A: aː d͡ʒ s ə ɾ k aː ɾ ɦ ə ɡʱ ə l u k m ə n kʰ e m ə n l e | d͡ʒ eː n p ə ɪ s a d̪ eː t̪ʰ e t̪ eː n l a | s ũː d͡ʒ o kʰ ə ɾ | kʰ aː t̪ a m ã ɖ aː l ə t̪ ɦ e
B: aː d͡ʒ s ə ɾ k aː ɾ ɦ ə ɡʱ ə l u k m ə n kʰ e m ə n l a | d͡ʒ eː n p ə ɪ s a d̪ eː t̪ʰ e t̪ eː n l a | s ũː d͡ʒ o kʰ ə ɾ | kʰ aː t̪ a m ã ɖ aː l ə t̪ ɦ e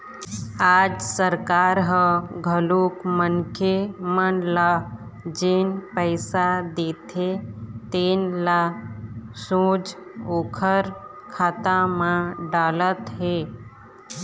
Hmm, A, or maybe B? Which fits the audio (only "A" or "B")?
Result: B